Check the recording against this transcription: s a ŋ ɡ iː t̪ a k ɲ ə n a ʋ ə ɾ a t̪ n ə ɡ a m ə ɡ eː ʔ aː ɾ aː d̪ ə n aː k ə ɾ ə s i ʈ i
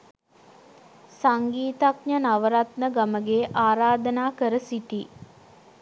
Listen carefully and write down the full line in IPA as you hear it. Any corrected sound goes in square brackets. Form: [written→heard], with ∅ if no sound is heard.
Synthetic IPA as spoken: s a ŋ ɡ iː t̪ a k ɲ ə n a ʋ ə ɾ a t̪ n ə ɡ a m ə ɡ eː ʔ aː ɾ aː d̪ ə n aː k ə ɾ ə s i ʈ i